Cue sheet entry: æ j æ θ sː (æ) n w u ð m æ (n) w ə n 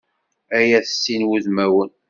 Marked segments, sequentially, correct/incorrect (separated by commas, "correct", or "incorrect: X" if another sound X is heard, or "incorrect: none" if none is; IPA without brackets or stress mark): incorrect: i, incorrect: none